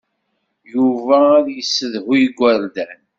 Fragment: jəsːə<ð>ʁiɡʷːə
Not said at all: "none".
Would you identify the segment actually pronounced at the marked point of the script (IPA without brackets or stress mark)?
ð